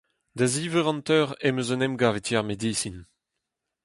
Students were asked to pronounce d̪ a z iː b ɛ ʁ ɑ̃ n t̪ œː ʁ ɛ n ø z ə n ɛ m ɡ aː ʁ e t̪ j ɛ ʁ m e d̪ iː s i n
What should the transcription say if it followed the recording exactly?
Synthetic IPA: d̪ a z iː v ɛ ʁ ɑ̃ n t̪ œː ʁ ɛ m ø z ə n ɛ m ɡ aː v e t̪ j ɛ ʁ m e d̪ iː s i n